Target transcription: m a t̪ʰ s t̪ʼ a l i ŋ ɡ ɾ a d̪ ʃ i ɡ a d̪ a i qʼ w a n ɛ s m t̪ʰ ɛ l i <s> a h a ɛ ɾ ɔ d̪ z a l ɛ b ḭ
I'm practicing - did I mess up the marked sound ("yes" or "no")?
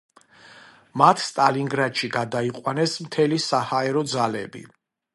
no